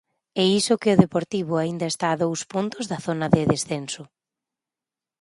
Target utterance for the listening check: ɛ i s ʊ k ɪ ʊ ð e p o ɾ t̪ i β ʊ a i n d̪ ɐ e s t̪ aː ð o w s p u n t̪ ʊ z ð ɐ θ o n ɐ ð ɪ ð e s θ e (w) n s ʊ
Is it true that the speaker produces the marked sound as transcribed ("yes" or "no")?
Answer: no